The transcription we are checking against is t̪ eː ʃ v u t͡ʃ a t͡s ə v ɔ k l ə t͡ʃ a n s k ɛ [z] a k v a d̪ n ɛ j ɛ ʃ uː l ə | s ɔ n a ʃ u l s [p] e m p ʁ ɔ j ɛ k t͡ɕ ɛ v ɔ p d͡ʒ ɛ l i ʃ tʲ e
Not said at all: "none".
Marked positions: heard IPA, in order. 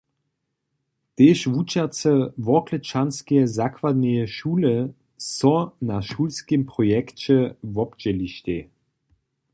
z, k

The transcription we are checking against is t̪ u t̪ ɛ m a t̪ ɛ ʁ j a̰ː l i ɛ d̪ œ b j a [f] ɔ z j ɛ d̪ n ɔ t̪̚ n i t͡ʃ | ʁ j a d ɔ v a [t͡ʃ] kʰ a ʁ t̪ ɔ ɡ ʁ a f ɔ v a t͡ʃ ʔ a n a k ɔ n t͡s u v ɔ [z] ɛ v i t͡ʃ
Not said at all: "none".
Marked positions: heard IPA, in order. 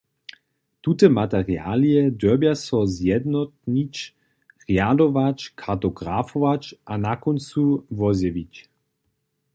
s, t͡ʃ, z

